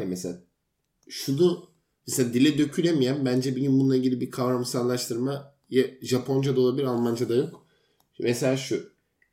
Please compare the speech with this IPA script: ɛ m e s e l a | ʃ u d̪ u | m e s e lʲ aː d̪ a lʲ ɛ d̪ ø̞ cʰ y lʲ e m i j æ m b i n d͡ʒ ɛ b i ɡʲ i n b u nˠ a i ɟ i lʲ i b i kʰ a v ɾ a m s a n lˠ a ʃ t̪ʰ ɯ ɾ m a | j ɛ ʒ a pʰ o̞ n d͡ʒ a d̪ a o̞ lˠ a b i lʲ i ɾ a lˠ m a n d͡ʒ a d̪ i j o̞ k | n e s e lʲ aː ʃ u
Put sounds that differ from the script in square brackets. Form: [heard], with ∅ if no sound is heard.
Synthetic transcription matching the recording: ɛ m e s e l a | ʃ u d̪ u | m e s e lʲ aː d̪ [i] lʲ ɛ d̪ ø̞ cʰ y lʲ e m i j æ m b [æ] n d͡ʒ ɛ b i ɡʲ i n b u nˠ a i ɟ i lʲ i b i kʰ a v ɾ a m s a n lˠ a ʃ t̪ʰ ɯ ɾ m a | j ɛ ʒ a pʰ o̞ n d͡ʒ a d̪ a o̞ lˠ a b i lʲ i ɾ a lˠ m a n d͡ʒ a d̪ [a] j o̞ k | [m] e s e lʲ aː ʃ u